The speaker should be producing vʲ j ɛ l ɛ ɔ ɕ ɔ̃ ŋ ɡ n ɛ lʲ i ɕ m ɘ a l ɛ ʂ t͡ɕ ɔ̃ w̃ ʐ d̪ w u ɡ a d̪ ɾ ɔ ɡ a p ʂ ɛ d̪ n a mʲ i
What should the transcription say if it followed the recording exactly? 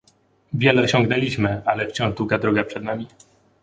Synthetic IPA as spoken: vʲ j ɛ l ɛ ɔ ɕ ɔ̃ ŋ ɡ n ɛ lʲ i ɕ m ɘ a l ɛ f t͡ɕ ɔ̃ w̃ ʐ d̪ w u ɡ a d̪ ɾ ɔ ɡ a p ʂ ɛ d̪ n a mʲ i